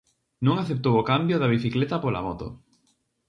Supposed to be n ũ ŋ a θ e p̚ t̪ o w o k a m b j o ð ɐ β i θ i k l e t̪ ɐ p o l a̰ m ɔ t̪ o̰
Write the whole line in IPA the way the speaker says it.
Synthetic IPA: n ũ ŋ a θ e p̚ t̪ o w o k a m b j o ð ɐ β i θ i k l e t̪ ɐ p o l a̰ m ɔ t̪ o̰